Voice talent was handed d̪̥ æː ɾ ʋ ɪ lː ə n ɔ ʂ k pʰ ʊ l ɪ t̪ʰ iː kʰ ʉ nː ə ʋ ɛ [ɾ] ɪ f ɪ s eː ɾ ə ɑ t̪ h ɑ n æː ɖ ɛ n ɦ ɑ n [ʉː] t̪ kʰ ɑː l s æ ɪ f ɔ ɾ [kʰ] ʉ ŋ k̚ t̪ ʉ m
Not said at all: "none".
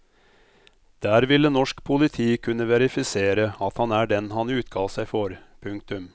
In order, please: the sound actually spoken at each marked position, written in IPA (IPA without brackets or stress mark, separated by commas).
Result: ɾ, ʉː, pʰ